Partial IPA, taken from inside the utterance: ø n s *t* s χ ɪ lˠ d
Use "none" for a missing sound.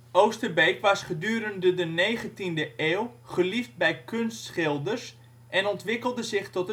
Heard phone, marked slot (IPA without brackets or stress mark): t